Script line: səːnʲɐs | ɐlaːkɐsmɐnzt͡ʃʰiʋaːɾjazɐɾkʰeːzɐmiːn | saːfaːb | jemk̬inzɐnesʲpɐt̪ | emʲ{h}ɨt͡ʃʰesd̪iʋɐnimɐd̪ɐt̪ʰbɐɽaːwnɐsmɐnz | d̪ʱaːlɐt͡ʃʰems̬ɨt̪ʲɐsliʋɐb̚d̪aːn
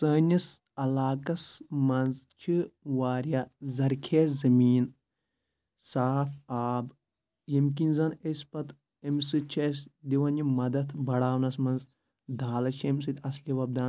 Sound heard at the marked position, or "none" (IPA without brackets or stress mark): s